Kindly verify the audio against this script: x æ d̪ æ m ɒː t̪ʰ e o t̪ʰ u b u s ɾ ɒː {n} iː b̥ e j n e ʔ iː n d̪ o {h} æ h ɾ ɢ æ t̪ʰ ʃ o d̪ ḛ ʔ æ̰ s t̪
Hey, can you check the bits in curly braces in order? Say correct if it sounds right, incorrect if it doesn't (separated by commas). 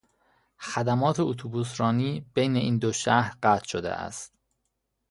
correct, incorrect